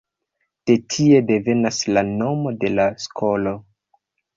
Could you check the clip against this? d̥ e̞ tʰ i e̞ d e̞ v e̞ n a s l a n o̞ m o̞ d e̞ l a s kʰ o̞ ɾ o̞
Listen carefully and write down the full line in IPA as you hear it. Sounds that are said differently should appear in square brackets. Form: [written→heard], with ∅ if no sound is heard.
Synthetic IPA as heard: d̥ e̞ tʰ i e̞ d e̞ v e̞ n a s l a n o̞ m o̞ d e̞ l a s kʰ o̞ [ɾ→l] o̞